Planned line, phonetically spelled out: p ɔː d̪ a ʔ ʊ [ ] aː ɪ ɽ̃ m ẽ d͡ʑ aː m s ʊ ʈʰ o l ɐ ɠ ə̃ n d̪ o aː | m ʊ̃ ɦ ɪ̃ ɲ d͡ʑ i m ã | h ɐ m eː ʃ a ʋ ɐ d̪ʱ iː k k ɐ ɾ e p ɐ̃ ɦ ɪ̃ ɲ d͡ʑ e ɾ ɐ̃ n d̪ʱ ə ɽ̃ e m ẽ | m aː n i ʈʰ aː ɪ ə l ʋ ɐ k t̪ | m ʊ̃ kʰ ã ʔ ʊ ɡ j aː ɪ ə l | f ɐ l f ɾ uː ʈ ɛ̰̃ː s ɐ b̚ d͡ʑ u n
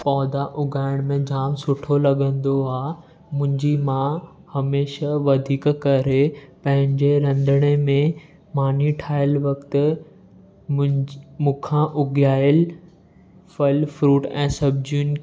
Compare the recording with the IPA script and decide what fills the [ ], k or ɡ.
ɡ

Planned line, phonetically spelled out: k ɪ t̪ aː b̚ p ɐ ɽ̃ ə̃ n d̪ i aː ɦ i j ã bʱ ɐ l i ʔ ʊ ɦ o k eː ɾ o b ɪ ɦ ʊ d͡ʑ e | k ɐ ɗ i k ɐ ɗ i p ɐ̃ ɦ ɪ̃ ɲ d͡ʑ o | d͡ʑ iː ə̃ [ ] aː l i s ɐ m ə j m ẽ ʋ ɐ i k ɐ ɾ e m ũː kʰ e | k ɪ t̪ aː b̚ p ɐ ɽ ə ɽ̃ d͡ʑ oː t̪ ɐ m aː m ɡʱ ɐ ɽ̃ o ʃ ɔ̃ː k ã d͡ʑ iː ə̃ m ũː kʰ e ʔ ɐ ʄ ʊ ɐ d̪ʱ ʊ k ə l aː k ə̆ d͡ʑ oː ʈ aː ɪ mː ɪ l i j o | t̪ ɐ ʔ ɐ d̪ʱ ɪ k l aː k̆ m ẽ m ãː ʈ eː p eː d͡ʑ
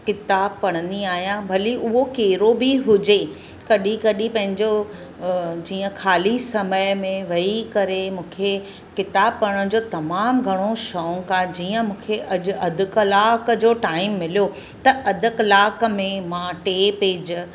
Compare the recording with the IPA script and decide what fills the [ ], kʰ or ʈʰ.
kʰ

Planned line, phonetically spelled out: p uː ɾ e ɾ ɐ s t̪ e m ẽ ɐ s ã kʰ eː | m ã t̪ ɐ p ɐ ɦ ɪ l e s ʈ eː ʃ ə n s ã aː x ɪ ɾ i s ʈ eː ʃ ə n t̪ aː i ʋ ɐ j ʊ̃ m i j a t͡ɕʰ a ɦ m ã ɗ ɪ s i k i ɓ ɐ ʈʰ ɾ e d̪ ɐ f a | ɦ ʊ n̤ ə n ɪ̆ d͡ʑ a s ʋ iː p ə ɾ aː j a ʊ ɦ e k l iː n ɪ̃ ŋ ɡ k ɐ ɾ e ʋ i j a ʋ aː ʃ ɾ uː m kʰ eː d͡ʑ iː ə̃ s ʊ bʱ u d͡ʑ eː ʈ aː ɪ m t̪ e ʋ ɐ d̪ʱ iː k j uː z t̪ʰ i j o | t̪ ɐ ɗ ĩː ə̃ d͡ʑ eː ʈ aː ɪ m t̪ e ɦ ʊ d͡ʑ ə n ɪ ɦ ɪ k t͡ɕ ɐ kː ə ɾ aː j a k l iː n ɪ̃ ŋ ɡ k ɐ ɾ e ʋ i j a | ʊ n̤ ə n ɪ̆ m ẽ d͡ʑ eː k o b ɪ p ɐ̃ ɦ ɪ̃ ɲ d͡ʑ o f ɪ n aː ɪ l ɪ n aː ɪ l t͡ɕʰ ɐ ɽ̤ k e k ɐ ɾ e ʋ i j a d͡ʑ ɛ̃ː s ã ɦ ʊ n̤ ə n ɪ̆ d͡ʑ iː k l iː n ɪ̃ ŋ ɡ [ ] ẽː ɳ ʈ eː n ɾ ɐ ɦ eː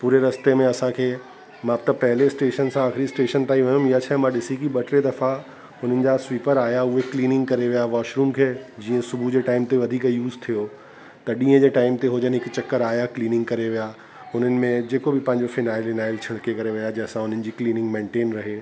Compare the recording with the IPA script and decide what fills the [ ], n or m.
m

